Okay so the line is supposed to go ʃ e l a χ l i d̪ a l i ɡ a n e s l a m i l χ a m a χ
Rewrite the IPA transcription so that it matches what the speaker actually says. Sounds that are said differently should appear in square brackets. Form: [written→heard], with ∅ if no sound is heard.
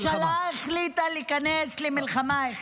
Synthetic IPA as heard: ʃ [e→a] l a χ l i [d̪→t̪] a l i [ɡ→k] a n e s l [a→i] m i l χ a m a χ